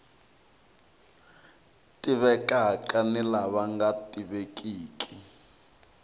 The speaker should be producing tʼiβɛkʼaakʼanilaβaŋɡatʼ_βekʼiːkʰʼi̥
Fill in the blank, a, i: i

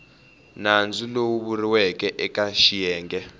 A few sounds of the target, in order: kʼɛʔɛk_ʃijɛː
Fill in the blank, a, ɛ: a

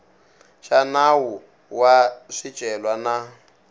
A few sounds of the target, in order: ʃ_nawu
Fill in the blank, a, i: a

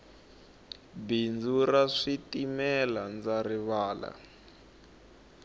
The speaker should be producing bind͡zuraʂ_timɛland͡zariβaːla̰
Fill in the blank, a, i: i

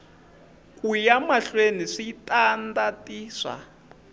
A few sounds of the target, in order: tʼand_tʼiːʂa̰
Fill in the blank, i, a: a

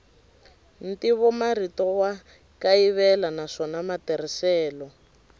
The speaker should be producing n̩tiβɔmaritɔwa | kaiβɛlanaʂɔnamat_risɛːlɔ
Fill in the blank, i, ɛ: ɛ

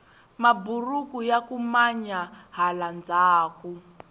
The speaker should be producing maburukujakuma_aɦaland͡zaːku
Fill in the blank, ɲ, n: ɲ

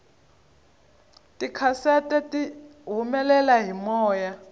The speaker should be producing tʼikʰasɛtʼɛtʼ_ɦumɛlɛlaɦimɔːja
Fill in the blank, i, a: i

